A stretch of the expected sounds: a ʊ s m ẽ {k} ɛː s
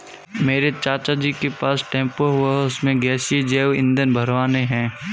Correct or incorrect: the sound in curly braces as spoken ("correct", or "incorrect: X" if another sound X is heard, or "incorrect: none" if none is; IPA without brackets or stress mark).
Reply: incorrect: ɡ